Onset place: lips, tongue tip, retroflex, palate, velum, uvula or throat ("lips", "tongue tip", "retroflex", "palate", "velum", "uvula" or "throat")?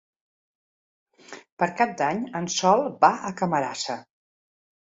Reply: lips